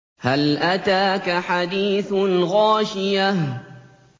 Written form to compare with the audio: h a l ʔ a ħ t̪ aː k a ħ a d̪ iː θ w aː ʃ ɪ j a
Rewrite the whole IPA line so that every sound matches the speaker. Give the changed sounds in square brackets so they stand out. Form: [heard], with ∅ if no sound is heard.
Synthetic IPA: h a l ʔ a [∅] t̪ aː k a ħ a d̪ iː θ [ɣ] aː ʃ ɪ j a